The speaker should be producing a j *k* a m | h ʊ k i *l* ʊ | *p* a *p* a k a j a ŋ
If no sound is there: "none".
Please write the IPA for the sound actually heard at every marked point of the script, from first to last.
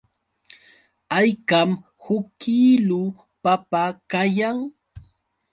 k, l, p, p

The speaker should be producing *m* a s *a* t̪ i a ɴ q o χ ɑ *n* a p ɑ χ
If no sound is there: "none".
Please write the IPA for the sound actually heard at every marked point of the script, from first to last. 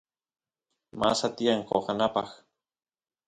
m, a, n

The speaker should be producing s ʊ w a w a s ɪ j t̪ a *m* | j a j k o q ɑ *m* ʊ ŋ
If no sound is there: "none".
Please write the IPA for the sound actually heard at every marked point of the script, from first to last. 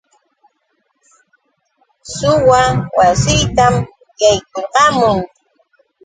m, m

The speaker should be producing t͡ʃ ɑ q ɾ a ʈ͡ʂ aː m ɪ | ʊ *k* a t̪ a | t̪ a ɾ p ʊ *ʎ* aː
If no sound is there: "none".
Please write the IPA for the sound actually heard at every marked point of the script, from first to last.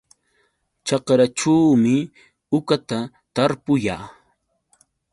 k, j

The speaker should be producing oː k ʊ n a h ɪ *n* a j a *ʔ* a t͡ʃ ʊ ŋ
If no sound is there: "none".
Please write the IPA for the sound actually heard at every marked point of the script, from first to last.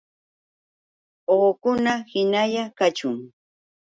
n, k

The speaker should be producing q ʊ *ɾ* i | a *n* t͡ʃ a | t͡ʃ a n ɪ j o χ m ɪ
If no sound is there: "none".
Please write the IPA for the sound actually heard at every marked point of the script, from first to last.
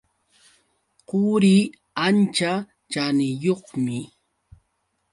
ɾ, n

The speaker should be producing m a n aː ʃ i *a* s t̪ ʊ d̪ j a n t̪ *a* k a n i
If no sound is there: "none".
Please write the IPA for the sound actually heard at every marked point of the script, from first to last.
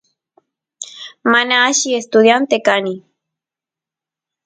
e, e

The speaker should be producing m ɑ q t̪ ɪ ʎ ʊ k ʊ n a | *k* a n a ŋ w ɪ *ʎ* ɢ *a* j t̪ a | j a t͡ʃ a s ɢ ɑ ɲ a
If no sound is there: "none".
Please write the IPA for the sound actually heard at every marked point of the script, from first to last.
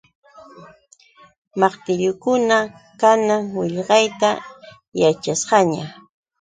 k, ʎ, ɑ

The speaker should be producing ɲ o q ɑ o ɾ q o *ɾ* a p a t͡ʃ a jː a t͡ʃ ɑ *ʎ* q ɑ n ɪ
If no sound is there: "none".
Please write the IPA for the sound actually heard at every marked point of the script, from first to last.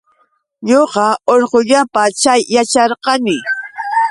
ʎ, ɾ

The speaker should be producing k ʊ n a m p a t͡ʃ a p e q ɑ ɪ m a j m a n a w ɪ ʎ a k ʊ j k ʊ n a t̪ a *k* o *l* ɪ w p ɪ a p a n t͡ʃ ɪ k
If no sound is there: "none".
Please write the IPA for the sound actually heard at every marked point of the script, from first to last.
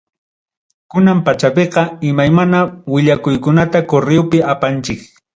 k, ɾ

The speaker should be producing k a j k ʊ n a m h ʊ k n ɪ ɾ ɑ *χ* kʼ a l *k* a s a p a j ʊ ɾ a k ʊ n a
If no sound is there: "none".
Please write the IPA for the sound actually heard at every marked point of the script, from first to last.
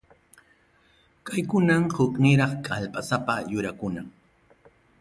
χ, p

